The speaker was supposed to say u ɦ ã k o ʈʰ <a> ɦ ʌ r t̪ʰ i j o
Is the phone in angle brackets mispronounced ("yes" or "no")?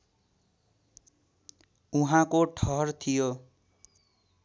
yes